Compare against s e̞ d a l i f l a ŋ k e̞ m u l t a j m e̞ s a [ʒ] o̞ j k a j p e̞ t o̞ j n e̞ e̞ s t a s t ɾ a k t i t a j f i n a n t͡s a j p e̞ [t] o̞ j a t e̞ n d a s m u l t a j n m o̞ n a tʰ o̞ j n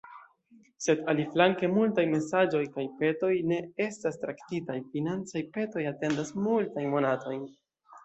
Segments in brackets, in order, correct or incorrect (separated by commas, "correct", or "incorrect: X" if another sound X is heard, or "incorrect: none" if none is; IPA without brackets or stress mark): incorrect: d͡ʒ, correct